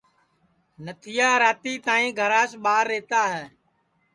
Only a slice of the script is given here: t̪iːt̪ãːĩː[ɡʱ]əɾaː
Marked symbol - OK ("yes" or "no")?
yes